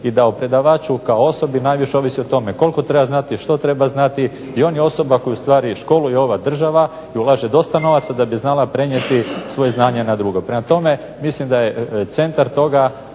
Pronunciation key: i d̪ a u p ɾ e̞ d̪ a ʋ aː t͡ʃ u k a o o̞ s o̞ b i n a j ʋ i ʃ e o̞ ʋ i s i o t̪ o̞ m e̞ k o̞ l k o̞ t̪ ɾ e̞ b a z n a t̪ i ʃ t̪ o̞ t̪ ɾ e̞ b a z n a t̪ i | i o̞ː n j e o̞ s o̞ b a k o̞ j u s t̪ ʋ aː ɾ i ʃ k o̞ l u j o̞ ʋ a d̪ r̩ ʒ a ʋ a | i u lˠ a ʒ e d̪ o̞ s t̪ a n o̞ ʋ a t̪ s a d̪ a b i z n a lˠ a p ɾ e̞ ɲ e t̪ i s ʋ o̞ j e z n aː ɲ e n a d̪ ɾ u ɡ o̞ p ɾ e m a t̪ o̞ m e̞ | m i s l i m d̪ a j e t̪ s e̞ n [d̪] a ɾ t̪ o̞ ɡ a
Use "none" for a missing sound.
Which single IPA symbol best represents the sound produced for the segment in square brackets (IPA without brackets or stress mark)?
t̪